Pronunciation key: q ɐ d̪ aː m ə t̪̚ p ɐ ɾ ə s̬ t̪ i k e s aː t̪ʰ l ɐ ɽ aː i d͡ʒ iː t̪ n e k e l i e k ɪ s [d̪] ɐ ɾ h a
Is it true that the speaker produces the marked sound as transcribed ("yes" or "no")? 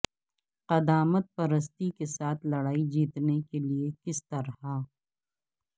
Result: no